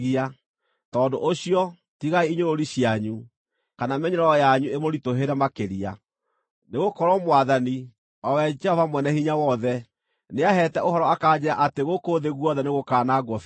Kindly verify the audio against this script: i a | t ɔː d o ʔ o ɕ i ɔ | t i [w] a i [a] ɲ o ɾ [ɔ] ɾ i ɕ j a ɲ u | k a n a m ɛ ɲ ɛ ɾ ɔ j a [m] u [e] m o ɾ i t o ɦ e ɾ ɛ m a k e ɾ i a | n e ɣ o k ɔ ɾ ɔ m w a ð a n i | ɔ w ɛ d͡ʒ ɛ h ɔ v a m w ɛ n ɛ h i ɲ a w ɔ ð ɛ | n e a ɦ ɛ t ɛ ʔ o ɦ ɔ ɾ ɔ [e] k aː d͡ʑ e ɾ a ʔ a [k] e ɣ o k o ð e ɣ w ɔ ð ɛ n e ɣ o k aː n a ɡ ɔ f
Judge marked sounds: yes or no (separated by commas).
no, no, no, no, yes, no, no